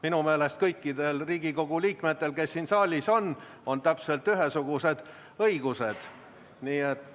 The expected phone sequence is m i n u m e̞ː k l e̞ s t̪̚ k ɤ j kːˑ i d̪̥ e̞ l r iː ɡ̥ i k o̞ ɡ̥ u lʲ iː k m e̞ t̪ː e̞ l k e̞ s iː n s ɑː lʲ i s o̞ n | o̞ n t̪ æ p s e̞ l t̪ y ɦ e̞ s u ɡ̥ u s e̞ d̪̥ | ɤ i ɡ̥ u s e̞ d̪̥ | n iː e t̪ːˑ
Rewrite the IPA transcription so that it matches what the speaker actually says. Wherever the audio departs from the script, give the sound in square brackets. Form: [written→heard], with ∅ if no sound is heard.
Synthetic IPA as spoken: m i n u m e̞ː [k→∅] l e̞ s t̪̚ k ɤ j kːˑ i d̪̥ e̞ l r iː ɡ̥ i k o̞ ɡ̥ u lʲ iː k m e̞ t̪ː e̞ l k e̞ [s→sː] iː n s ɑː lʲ i s o̞ n | o̞ n t̪ æ p s e̞ l t̪ y ɦ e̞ s u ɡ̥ u s e̞ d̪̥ | ɤ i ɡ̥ u s e̞ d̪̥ | n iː e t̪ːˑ